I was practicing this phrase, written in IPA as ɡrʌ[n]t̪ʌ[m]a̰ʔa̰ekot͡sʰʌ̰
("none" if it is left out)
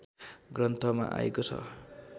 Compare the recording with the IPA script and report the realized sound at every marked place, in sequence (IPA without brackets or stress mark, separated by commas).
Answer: n, m